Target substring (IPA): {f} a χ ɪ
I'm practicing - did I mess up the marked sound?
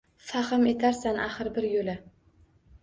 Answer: no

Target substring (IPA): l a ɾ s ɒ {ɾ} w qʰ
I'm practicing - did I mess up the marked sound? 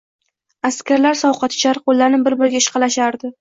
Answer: yes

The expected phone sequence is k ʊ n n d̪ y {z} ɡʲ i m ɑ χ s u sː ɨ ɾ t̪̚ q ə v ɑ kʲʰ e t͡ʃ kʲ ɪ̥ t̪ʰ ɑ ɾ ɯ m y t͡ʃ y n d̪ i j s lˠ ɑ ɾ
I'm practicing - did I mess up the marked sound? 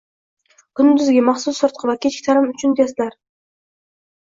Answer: no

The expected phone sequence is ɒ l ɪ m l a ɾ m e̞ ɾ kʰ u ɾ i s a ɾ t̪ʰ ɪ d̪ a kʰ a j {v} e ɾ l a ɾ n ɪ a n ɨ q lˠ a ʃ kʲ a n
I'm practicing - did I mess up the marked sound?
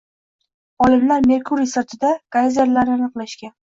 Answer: yes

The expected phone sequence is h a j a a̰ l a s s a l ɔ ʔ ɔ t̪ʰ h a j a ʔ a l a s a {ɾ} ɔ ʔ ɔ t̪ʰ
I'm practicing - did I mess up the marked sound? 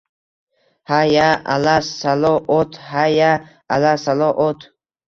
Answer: yes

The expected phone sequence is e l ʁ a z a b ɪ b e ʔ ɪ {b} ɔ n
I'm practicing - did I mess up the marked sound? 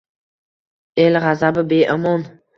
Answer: yes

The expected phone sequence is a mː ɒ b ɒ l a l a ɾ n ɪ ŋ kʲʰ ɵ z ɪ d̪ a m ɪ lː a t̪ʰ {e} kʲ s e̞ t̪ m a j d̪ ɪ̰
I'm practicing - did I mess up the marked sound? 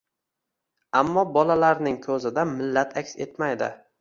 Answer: yes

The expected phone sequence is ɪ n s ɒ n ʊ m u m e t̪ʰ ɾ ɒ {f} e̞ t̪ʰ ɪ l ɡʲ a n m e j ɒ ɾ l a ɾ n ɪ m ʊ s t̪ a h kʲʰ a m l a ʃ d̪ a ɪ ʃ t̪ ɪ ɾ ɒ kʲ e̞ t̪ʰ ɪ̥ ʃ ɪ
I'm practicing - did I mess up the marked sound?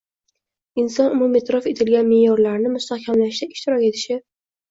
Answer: no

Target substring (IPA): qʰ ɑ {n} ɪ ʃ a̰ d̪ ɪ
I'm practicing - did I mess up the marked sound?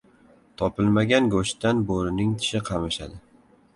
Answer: yes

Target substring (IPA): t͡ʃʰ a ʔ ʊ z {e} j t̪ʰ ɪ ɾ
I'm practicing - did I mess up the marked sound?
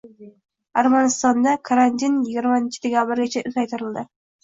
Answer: yes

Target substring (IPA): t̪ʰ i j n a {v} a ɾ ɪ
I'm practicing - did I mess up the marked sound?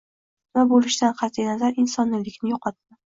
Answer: yes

